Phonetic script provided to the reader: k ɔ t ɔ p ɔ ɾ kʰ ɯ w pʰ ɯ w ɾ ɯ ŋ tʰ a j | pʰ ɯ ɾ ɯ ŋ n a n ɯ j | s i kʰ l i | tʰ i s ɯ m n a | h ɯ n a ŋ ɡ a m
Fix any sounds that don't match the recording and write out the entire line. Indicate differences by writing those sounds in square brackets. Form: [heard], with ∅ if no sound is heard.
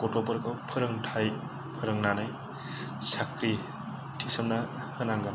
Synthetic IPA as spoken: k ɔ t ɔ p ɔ ɾ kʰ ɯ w pʰ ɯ [∅] ɾ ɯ ŋ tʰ a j | pʰ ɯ ɾ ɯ ŋ n a n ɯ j | s [a] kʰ [ɾ] i | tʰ i s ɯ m n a | h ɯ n a ŋ ɡ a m